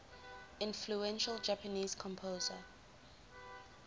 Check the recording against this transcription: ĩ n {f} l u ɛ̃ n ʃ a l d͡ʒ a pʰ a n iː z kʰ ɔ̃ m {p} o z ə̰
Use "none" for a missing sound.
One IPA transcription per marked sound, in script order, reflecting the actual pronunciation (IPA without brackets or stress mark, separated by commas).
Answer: f, pʰ